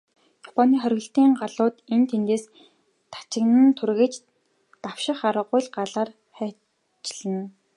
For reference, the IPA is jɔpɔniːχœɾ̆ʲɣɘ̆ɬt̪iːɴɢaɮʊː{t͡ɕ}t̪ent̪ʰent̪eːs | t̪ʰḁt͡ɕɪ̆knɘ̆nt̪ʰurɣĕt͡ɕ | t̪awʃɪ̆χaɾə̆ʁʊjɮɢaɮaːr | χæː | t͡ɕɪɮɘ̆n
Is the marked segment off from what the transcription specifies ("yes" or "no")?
yes